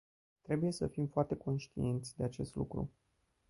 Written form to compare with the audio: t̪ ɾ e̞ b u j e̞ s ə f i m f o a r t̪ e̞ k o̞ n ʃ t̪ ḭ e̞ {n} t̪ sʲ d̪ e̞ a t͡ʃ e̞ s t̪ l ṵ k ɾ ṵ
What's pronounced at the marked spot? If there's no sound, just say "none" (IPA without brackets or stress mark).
n